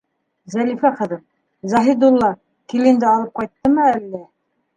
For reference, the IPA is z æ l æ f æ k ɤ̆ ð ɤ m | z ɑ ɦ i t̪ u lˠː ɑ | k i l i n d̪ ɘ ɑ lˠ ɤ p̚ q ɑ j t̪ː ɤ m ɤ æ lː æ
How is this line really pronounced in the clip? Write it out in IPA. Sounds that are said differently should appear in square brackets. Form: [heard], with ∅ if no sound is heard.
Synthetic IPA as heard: z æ l [i] f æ [q] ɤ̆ ð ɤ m | z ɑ ɦ i [d̪] u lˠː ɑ | k i l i n d̪ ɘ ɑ lˠ ɤ p̚ q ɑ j t̪ː ɤ m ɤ æ lː æ